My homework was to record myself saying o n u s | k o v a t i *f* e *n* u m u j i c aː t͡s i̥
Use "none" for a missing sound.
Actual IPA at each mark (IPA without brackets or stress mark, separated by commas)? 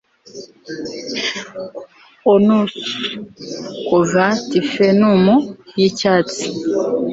f, n